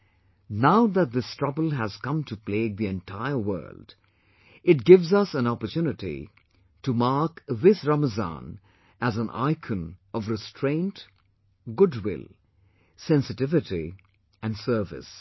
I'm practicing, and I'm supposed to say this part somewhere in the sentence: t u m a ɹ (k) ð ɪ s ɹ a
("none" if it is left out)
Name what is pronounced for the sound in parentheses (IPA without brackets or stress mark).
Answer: k